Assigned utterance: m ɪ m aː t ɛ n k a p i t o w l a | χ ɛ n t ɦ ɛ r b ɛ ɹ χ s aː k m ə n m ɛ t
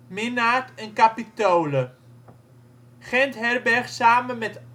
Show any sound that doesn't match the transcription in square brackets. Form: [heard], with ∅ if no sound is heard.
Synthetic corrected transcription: m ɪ [n] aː t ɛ n k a p i t o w l [ə] | χ ɛ n t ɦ ɛ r b ɛ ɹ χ s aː [∅] m ə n m ɛ t